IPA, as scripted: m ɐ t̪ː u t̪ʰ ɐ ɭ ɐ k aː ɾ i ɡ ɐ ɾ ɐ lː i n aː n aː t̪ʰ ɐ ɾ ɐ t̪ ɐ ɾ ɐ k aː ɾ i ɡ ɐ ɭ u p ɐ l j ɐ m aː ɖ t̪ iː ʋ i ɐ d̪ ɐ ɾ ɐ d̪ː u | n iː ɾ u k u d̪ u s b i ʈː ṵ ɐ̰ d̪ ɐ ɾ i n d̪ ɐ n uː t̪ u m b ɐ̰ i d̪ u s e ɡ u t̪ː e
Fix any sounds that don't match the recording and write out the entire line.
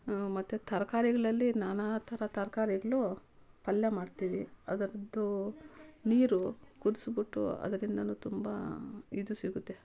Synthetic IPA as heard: m ɐ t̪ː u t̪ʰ ɐ ɾ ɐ k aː ɾ i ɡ ɐ ɭ ɐ lː i n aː n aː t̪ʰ ɐ ɾ ɐ t̪ ɐ ɾ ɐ k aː ɾ i ɡ ɐ ɭ u p ɐ l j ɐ m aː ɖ t̪ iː ʋ i ɐ d̪ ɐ ɾ ɐ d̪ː u | n iː ɾ u k u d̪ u s b i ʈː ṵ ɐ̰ d̪ ɐ ɾ i n d̪ ɐ n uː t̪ u m b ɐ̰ i d̪ u s i ɡ u t̪ː e